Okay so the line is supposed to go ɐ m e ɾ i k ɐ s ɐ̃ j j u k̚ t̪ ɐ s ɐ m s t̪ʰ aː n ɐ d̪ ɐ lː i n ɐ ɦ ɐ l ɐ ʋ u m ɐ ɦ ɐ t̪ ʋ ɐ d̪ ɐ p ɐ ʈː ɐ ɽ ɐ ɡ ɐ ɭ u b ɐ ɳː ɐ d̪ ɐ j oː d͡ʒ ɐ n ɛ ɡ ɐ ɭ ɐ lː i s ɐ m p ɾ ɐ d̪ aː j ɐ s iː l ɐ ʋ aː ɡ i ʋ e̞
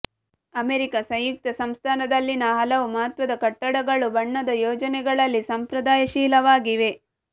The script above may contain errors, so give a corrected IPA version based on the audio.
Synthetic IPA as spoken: ɐ m e ɾ i k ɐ s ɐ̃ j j u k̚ t̪ ɐ s ɐ m s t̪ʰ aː n ɐ d̪ ɐ lː i n ɐ ɦ ɐ l ɐ ʋ u m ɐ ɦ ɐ t̪ ʋ ɐ d̪ ɐ k ɐ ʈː ɐ ɽ ɐ ɡ ɐ ɭ u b ɐ ɳː ɐ d̪ ɐ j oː d͡ʒ ɐ n ɛ ɡ ɐ ɭ ɐ lː i s ɐ m p ɾ ɐ d̪ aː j ɐ ʃ iː l ɐ ʋ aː ɡ i ʋ e̞